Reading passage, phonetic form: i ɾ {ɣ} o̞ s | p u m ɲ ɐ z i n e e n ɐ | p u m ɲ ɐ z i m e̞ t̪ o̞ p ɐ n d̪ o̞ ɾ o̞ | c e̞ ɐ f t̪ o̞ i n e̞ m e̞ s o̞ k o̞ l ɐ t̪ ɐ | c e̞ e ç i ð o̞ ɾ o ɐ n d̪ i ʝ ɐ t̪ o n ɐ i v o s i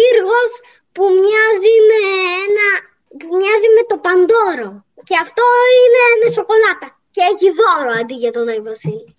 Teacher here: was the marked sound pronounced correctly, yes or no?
yes